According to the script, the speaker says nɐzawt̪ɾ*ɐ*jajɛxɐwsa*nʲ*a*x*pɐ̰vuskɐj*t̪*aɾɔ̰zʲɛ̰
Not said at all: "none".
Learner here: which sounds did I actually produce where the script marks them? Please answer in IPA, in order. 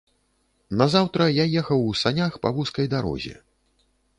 ɐ, nʲ, x, d̪

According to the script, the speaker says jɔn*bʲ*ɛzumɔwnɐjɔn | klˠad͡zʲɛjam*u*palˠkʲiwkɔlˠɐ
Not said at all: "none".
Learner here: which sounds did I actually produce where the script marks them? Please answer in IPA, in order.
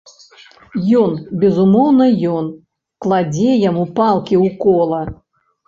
bʲ, u

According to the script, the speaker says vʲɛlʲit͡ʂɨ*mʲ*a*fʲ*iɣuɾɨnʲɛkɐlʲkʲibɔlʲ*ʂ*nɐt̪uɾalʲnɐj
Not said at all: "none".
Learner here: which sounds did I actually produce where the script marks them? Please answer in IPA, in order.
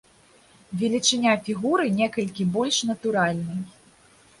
nʲ, fʲ, ʂ

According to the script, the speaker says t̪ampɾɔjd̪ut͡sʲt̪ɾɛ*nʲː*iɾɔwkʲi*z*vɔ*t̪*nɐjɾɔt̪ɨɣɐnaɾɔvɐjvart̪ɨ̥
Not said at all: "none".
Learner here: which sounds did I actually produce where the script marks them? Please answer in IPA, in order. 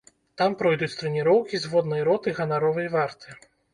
nʲ, z, d̪

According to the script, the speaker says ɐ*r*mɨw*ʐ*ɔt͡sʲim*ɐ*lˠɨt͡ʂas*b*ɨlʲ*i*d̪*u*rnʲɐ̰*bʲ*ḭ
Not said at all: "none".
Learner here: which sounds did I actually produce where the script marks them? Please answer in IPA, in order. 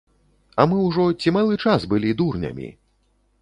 none, ʐ, a, b, i, u, mʲ

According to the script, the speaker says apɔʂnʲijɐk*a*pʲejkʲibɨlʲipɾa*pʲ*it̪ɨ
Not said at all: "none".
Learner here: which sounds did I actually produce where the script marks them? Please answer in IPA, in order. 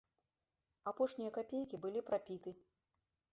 a, pʲ

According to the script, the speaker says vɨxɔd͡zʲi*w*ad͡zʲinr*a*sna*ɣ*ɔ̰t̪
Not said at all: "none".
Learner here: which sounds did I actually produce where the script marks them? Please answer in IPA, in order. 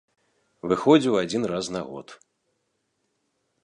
w, a, ɣ

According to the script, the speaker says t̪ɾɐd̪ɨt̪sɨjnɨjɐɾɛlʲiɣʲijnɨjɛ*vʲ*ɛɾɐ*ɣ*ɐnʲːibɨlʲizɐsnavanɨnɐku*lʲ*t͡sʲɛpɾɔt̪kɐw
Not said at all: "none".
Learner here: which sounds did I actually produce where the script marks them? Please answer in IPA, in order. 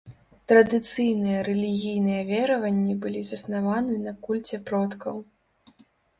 vʲ, v, lʲ

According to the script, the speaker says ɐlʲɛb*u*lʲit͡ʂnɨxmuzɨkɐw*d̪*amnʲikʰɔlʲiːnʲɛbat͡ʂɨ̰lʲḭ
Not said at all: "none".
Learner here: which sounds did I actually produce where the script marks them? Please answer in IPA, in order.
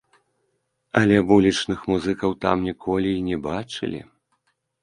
u, t̪

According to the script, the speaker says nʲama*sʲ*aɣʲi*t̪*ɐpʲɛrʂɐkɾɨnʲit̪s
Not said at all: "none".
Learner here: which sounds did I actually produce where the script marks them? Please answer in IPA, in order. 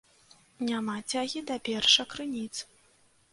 t͡sʲ, d̪

